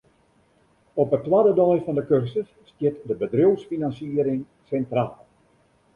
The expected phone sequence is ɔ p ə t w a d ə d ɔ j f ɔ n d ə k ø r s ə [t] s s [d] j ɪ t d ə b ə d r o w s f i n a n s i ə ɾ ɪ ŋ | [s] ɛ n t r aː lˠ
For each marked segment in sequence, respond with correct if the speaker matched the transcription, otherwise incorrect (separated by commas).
incorrect, incorrect, correct